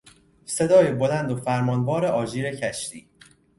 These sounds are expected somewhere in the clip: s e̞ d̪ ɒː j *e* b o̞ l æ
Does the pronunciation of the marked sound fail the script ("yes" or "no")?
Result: no